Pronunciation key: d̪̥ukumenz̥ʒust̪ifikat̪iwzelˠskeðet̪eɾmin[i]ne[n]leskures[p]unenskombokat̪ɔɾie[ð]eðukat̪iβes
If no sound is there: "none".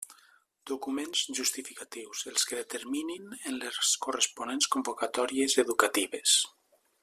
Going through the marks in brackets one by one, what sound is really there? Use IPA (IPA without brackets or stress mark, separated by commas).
i, n, p, z